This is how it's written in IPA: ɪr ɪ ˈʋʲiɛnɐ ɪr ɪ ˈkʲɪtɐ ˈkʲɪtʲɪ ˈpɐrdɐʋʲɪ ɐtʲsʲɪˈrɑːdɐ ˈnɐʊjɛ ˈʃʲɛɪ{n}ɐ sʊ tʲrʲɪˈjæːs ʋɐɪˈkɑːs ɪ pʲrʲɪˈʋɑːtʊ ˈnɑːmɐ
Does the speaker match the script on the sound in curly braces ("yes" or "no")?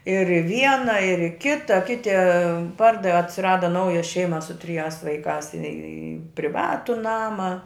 no